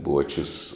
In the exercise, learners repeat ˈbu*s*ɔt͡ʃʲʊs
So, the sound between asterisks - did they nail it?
no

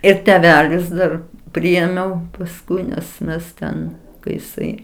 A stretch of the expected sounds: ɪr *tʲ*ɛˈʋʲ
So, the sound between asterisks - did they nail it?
yes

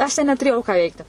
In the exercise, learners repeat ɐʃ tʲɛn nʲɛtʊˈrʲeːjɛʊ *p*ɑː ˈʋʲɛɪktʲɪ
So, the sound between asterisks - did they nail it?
no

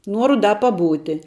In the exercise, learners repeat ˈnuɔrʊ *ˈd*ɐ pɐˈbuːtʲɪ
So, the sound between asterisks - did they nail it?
yes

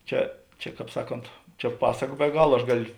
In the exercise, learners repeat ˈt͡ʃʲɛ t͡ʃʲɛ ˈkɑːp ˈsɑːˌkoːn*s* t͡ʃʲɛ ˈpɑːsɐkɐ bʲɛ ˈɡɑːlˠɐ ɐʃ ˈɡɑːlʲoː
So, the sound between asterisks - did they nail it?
no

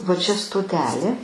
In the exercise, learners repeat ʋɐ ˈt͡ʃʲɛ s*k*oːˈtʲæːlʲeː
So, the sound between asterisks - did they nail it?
no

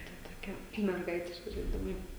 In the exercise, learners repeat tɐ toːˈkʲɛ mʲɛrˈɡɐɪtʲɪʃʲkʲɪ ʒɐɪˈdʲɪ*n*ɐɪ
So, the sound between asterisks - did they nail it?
no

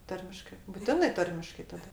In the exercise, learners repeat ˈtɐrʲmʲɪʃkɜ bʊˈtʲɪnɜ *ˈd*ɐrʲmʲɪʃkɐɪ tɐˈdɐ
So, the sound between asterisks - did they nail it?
no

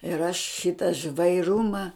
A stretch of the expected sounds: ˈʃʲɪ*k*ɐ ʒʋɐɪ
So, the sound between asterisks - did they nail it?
no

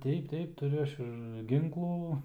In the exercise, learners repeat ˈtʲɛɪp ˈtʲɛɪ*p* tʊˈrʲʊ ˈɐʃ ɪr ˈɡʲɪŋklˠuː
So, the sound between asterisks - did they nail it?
yes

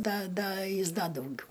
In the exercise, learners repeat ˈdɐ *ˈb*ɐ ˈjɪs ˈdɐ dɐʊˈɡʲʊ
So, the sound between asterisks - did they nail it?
no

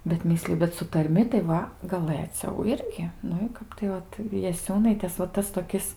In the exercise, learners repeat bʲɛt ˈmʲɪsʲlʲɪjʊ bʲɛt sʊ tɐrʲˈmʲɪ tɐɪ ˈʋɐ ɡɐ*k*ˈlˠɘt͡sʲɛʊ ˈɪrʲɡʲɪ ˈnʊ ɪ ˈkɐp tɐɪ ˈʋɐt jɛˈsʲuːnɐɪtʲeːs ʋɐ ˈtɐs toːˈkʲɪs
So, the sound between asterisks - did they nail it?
no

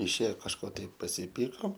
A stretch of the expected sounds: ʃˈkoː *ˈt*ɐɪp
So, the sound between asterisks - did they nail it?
yes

